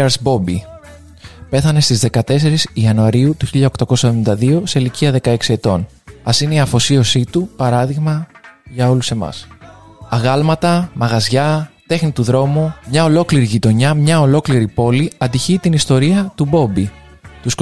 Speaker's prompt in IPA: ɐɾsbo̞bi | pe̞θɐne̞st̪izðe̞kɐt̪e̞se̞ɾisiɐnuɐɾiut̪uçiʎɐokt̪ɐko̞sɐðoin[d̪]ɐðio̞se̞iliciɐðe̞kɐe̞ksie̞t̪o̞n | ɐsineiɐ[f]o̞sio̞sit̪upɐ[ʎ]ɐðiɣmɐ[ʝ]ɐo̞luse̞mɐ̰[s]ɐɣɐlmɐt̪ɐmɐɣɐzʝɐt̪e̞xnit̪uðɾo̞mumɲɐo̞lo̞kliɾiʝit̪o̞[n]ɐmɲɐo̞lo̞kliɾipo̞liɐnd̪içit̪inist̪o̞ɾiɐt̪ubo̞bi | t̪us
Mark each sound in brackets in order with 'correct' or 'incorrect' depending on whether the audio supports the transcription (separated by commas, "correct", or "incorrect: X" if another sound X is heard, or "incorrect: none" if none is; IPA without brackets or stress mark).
correct, correct, incorrect: ɾ, correct, correct, incorrect: ɲ